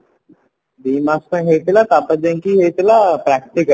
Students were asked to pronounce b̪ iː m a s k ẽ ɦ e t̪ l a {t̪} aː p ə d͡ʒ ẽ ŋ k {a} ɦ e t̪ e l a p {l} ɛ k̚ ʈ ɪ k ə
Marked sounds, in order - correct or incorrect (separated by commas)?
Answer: correct, incorrect, incorrect